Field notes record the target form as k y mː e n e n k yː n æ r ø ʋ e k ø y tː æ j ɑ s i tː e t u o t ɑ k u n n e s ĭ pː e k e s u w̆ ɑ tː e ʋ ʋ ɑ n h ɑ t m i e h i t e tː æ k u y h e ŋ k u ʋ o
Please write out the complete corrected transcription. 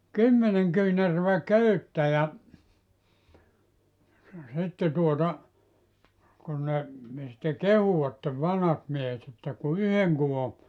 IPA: k y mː e n e ŋ k yː n æ r ø ʋ æ k ø y tː æ j ɑ s i tː e t u o t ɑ k u n n e s ĭ tː e k e h u w̆ ɑ tː e ʋ ʋ ɑ n h ɑ t m i e h e t e tː æ k u y h e ŋ k u ʋ o